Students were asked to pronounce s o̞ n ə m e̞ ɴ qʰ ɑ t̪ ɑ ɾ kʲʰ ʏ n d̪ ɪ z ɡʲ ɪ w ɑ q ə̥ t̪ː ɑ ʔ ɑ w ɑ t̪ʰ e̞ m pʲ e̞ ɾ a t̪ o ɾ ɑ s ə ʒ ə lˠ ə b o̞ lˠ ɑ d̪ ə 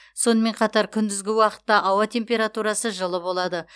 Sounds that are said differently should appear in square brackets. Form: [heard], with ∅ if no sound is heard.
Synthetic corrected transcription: s o̞ n ə m e̞ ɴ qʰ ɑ t̪ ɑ ɾ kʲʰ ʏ n d̪ ɪ z ɡʲ ɪ w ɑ q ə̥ t̪ː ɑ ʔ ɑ w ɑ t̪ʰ e̞ m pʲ e̞ ɾ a t̪ [u] ɾ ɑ s ə ʒ ə lˠ ə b o̞ lˠ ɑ d̪ ə